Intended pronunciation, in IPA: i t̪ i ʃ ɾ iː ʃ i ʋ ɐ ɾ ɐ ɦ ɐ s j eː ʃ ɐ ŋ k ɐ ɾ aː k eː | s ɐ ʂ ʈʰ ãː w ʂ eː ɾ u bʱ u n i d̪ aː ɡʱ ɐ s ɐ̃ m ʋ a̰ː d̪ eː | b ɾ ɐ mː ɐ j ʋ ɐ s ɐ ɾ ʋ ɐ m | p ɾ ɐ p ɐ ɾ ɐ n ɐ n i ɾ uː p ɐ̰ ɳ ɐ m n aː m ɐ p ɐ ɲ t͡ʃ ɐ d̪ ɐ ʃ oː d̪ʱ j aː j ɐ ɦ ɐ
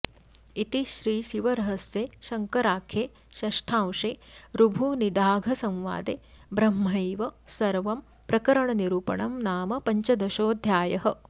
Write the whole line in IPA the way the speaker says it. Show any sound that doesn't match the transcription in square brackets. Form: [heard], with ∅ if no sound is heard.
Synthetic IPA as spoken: i t̪ i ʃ ɾ iː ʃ i ʋ ɐ ɾ ɐ ɦ ɐ s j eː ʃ ɐ ŋ k ɐ ɾ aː [kʰ] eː | [ʃ] ɐ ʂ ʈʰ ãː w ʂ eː ɾ u bʱ u n i d̪ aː ɡʱ ɐ s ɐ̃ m ʋ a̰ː d̪ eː | b ɾ ɐ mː ɐ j ʋ ɐ s ɐ ɾ ʋ ɐ m | p ɾ ɐ [k] ɐ ɾ ɐ [ɳ] ɐ n i ɾ uː p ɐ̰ ɳ ɐ m n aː m ɐ p ɐ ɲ t͡ʃ ɐ d̪ ɐ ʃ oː d̪ʱ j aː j ɐ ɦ ɐ